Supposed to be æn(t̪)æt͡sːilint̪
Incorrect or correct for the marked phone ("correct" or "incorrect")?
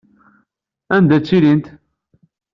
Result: incorrect